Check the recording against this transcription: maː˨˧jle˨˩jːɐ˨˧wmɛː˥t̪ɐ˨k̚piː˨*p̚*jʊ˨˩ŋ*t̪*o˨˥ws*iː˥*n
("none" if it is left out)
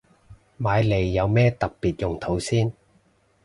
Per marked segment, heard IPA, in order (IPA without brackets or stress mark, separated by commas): t̚, t̪ʰ, iː˥